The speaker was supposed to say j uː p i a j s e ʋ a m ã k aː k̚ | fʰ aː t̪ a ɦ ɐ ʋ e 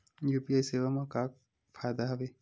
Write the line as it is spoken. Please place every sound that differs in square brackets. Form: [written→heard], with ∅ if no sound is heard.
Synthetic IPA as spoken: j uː p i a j s e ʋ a m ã k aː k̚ | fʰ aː [t̪→d̪] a ɦ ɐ ʋ e